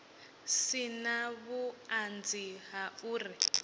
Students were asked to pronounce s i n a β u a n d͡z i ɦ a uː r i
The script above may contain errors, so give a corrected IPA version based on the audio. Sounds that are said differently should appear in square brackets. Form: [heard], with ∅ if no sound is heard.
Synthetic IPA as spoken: s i n a β u a n d͡z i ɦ a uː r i